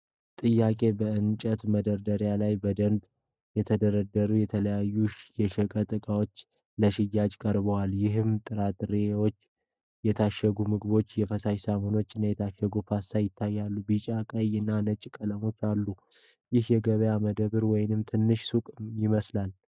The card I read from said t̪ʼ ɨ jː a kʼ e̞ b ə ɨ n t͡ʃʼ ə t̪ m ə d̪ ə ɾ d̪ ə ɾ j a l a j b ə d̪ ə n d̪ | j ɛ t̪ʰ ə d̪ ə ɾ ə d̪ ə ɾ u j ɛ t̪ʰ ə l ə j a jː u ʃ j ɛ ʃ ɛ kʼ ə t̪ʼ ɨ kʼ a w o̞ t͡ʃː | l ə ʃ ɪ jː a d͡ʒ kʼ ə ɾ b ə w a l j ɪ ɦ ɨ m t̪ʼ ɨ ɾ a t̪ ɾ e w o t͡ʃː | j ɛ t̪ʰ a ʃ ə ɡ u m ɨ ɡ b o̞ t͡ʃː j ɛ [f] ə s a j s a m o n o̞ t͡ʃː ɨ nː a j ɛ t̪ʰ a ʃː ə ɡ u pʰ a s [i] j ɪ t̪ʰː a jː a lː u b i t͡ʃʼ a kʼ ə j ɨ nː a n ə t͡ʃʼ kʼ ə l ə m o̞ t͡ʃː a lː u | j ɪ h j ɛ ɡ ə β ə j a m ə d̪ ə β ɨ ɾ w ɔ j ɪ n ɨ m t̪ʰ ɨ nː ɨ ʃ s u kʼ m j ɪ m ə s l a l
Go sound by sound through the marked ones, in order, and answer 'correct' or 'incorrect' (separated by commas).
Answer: correct, incorrect